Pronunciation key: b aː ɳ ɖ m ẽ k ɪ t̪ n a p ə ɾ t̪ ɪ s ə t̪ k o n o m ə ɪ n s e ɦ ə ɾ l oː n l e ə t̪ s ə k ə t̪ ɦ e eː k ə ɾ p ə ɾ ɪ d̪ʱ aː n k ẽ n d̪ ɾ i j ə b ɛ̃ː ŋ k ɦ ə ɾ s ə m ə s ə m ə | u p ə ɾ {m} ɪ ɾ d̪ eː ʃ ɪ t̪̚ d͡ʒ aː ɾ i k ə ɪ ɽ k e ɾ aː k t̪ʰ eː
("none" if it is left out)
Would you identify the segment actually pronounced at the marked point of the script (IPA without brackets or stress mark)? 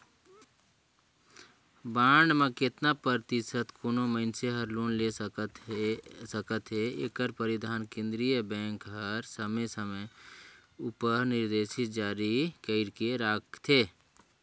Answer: n